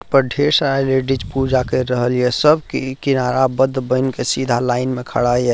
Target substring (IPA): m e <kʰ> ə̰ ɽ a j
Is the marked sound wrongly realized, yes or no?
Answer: no